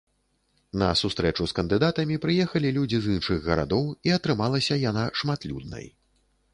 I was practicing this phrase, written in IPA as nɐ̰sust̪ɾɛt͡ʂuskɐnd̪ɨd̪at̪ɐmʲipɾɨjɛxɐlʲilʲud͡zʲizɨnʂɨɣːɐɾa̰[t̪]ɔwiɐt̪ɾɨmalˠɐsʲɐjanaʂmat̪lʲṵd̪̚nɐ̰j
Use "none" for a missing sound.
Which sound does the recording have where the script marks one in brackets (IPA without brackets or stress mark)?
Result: d̪